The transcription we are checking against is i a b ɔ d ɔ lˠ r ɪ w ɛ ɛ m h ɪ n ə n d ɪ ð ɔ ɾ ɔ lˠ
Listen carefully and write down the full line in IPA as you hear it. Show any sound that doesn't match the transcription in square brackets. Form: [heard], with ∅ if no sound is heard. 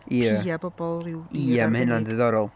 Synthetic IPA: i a b ɔ [b] ɔ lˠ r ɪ w [i] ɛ m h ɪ n [a] n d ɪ ð ɔ ɾ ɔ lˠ